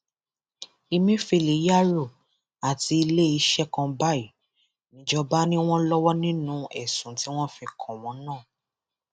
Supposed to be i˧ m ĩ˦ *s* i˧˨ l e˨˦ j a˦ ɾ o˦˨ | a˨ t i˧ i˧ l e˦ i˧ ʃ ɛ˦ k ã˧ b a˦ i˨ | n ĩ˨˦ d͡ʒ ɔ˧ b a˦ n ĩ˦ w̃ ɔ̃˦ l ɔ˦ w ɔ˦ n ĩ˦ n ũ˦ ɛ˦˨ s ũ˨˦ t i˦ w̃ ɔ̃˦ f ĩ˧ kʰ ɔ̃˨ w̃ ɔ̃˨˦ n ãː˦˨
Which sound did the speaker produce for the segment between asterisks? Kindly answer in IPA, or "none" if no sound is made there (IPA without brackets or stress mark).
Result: f